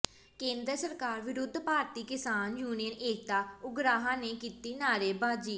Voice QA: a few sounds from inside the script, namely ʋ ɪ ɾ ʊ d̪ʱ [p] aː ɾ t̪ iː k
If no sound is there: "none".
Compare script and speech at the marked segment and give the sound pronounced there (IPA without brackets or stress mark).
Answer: p